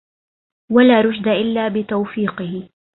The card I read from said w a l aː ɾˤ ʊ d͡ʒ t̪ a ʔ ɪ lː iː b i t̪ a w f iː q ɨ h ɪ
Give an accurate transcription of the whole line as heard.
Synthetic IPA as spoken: w a l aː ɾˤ ʊ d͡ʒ d̪ a ʔ ɪ lː aː b ɪ t̪ a w f iː q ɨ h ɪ